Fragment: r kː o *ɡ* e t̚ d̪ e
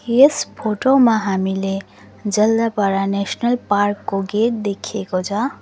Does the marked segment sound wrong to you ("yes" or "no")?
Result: no